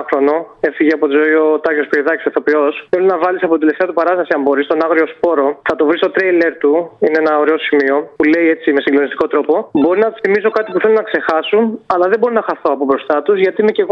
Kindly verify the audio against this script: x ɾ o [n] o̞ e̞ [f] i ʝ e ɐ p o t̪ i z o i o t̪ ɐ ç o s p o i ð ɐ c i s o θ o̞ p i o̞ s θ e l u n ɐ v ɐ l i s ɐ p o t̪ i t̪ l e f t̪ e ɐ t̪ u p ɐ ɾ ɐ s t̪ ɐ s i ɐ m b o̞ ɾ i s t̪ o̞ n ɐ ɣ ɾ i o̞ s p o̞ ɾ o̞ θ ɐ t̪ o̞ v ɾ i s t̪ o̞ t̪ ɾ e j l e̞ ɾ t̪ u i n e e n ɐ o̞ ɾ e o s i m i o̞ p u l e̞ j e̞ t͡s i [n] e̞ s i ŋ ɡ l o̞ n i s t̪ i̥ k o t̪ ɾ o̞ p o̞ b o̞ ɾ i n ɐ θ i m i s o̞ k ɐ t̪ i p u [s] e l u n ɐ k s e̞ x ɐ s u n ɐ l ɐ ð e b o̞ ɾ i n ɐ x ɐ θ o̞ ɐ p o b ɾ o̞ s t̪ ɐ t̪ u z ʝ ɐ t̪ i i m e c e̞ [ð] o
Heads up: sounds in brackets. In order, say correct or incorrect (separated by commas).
correct, correct, incorrect, incorrect, incorrect